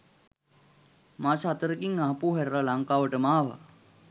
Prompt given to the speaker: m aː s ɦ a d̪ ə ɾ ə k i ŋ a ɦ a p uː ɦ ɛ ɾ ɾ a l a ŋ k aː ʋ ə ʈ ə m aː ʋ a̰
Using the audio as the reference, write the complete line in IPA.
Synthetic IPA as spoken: m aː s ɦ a t̪ ə ɾ ə k i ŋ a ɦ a p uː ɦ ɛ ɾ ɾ a l a ŋ k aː ʋ ə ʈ ə m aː ʋ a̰